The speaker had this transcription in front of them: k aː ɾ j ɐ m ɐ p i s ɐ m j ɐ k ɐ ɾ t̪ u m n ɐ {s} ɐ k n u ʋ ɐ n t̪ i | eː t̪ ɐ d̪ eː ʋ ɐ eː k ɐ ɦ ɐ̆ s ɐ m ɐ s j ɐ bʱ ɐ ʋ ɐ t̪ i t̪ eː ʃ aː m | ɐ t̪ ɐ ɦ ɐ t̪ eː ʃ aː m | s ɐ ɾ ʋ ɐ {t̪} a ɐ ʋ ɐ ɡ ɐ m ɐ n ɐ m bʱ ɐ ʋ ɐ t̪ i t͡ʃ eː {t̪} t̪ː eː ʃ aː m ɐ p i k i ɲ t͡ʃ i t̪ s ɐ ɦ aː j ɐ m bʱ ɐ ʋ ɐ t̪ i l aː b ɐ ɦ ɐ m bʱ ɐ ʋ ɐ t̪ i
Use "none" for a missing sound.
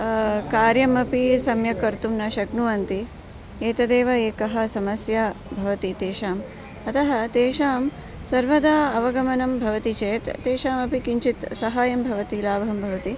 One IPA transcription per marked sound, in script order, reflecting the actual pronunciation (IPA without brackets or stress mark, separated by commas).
ʃ, d̪, t̪